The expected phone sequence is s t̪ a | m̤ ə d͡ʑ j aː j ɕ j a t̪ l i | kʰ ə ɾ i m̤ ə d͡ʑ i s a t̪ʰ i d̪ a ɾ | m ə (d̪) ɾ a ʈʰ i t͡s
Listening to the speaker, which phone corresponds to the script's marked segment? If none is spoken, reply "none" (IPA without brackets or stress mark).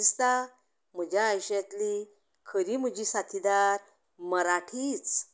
none